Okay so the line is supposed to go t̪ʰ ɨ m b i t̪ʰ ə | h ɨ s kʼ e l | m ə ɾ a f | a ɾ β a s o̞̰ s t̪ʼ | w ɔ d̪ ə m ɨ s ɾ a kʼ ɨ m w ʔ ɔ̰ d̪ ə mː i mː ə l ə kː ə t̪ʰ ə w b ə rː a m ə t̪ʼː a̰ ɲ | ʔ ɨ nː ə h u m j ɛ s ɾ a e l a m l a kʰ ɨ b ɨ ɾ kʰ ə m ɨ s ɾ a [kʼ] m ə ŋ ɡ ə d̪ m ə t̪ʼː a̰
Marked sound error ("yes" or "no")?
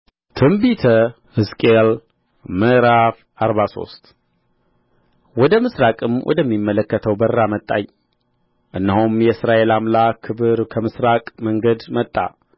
no